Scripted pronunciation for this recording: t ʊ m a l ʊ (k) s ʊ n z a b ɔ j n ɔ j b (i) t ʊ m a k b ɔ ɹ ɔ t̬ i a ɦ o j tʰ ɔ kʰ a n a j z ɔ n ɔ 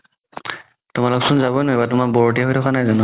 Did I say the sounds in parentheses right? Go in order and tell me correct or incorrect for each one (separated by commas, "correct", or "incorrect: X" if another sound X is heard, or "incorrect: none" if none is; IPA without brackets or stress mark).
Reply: correct, incorrect: a